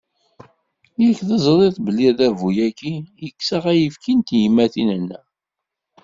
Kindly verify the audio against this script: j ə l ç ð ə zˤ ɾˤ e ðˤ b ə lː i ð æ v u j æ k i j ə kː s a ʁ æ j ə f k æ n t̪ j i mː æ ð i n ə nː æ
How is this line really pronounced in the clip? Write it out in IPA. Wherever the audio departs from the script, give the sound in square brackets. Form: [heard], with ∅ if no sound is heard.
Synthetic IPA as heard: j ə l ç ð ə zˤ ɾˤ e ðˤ b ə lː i ð æ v u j æ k i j ə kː s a ʁ æ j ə f k [i] n t̪ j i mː æ [θ] i n ə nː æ